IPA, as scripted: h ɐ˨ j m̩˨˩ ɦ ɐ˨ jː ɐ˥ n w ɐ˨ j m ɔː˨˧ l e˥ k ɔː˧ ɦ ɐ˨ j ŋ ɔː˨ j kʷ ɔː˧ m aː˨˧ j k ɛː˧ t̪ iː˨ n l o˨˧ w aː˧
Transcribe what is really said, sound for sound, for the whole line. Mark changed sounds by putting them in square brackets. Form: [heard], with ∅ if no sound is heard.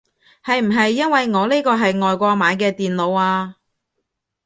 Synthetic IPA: h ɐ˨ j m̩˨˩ ɦ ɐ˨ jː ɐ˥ n w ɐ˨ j [ŋ] ɔː˨˧ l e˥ k ɔː˧ ɦ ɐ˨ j ŋ ɔː˨ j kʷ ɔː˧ m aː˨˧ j k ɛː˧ t̪ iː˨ n l o˨˧ w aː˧